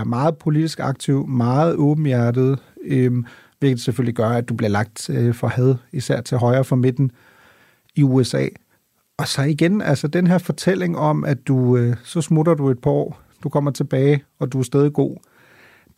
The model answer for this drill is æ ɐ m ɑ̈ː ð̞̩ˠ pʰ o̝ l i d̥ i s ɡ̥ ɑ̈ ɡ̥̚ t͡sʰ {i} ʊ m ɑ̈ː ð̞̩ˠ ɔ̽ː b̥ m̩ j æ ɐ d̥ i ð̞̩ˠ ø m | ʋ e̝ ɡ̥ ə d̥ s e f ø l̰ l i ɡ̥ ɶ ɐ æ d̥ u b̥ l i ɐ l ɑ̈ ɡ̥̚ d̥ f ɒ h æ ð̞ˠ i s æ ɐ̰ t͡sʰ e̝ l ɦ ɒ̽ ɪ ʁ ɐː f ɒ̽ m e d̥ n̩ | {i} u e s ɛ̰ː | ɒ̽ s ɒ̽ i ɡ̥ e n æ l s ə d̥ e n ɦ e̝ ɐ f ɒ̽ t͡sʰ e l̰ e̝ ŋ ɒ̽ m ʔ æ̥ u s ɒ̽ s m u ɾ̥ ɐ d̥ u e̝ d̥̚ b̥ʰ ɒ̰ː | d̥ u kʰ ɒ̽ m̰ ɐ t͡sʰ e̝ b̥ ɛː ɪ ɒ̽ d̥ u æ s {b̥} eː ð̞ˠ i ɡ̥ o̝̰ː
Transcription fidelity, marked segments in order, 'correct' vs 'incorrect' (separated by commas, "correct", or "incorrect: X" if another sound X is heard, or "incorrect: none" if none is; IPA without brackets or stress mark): correct, correct, incorrect: d̥